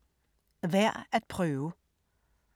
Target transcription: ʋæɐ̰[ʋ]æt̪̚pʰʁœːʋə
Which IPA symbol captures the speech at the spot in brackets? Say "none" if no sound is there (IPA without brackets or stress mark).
none